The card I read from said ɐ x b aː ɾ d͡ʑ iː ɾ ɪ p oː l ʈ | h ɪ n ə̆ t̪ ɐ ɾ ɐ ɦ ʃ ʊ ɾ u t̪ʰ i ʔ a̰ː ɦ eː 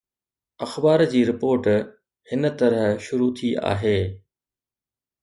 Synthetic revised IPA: ɐ x b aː ɾ d͡ʑ iː ɾ ɪ p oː ɾ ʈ | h ɪ n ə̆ t̪ ɐ ɾ ə ɦ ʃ ʊ ɾ u t̪ʰ i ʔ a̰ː ɦ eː